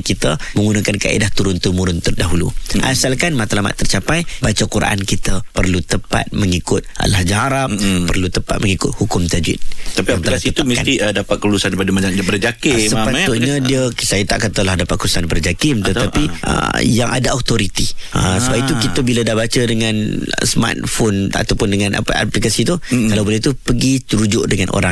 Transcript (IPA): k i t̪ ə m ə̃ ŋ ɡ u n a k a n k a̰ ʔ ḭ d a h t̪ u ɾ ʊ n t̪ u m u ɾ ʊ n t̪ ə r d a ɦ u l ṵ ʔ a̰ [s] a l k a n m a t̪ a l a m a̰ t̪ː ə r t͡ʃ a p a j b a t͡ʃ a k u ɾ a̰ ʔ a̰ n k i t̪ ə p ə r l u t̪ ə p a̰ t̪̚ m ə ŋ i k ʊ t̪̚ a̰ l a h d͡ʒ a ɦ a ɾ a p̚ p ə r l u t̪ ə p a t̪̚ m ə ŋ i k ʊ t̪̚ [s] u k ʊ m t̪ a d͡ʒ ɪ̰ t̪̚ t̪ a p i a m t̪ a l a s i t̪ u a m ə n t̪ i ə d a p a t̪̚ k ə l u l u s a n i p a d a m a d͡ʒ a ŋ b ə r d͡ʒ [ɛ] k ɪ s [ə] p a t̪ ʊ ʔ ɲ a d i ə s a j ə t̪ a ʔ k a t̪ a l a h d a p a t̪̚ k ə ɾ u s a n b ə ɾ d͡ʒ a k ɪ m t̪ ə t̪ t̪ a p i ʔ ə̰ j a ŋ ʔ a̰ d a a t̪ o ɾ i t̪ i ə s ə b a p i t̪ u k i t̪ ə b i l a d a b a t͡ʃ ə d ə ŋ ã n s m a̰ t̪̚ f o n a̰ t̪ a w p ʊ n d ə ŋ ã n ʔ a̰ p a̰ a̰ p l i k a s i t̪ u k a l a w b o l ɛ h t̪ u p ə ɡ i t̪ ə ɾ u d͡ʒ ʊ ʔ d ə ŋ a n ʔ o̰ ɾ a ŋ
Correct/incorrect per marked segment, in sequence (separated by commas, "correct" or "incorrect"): correct, incorrect, incorrect, correct